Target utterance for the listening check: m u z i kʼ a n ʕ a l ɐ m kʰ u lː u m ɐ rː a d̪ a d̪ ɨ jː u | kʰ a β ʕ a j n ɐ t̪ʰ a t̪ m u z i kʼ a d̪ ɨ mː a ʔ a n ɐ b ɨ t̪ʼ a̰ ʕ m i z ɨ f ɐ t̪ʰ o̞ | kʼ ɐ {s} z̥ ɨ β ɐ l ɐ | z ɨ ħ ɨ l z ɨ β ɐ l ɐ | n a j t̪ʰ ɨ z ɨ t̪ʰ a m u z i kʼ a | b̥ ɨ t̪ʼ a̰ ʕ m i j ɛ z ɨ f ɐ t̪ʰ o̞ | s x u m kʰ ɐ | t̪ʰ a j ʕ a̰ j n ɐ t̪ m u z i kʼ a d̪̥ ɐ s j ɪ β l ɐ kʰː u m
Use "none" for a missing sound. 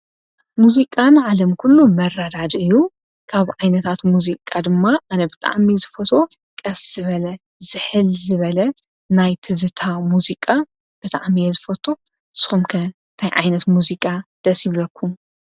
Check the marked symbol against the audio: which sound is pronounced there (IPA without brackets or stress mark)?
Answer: s